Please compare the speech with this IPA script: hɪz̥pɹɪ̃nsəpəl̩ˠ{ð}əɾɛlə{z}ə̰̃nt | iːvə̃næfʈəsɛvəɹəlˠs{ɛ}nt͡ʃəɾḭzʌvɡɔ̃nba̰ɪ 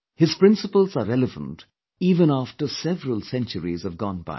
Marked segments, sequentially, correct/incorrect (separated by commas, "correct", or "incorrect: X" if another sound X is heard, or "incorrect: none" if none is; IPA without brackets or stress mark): incorrect: z, incorrect: v, incorrect: ɛ̃